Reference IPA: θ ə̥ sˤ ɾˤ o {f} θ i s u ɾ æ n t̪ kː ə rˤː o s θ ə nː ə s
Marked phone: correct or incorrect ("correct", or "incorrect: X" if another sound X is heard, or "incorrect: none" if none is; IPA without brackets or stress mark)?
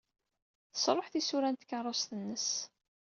incorrect: ħ